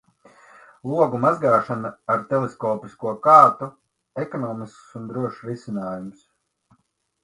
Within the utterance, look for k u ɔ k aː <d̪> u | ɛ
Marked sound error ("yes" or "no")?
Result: yes